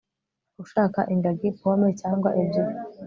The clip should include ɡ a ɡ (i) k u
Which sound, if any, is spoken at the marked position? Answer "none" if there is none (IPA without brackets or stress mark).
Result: i